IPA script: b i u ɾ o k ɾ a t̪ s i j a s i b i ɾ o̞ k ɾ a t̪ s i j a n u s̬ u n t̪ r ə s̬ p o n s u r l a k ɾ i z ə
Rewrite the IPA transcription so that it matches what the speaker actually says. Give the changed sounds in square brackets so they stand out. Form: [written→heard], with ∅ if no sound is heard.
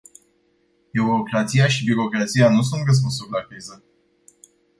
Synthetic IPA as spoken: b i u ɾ o k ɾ a t̪ s i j a [s→ʃ] i b i ɾ o̞ k ɾ a t̪ s i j a n u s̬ u n t̪ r ə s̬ p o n s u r l a k ɾ i z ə